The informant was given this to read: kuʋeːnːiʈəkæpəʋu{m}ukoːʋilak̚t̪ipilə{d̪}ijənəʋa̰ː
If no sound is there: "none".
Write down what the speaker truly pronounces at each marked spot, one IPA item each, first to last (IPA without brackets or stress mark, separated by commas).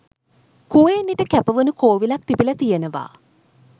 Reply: n, t̪